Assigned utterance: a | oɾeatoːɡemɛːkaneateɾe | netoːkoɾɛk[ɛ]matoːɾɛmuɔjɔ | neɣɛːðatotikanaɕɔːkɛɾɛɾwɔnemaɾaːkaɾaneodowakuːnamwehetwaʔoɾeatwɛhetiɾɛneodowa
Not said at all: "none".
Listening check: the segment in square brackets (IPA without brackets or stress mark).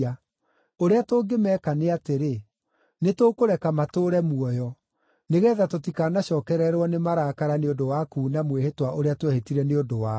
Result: a